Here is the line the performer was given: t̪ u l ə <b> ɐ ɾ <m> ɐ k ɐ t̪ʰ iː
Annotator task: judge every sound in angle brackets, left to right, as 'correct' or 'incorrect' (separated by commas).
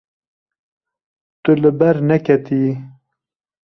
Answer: correct, incorrect